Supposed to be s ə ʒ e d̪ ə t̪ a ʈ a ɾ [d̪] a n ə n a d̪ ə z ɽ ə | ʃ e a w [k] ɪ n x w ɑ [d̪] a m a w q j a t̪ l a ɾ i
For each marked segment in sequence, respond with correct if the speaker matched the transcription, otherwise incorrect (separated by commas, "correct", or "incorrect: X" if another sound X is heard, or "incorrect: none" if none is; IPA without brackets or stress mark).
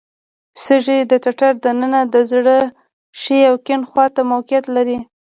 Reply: correct, correct, incorrect: t̪